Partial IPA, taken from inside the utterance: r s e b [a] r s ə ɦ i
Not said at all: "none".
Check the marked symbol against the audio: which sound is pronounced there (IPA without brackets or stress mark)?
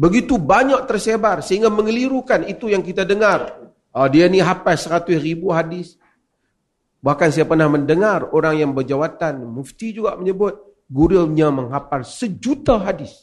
a